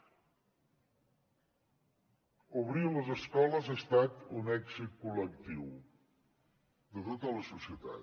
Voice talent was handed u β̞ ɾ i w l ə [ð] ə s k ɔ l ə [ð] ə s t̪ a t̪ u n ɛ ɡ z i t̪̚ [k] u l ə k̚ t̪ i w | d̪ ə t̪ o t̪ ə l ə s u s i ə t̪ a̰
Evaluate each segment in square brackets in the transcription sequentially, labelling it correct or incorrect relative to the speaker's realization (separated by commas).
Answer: incorrect, incorrect, correct